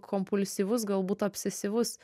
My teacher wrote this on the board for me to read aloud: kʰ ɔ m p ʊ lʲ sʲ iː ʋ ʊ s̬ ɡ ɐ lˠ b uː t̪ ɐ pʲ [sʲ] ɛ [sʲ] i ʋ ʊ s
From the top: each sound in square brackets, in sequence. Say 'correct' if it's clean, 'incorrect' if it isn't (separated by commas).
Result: correct, correct